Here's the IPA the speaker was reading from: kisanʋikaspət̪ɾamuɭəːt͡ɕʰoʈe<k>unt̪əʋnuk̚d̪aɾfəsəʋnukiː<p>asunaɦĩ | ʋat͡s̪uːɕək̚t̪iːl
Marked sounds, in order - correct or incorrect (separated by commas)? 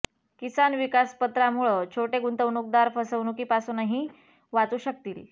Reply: incorrect, correct